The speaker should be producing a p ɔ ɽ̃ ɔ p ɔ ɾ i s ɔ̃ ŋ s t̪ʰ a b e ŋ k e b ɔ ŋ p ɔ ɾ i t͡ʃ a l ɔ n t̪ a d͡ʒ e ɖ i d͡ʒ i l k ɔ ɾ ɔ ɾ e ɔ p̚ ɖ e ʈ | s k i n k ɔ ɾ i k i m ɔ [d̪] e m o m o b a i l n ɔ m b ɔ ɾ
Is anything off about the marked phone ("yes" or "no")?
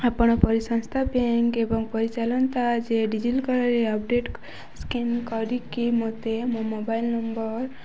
yes